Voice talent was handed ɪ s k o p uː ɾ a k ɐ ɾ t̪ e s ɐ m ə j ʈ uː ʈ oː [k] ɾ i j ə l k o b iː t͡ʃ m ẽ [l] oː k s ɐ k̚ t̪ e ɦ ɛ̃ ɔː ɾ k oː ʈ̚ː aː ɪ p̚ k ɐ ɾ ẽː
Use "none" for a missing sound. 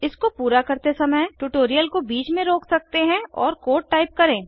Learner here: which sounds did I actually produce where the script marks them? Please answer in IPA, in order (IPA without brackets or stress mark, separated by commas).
none, ɾ